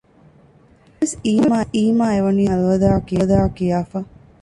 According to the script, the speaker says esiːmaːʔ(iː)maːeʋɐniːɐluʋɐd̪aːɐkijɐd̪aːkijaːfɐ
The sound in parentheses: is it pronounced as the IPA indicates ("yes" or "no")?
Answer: yes